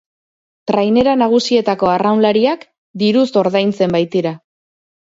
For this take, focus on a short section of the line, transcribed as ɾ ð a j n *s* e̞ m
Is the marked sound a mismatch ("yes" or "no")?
yes